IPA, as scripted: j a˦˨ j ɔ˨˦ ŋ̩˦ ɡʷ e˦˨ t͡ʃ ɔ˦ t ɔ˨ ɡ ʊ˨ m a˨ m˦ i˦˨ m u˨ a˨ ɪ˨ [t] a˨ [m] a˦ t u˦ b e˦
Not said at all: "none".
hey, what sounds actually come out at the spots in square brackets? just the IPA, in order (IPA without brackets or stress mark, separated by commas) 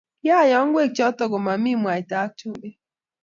t, none